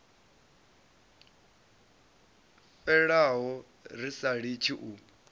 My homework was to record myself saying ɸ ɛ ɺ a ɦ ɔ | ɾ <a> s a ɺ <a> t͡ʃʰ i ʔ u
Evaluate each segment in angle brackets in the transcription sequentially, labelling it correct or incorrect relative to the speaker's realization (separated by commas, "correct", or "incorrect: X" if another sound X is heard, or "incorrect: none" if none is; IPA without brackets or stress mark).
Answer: incorrect: i, incorrect: i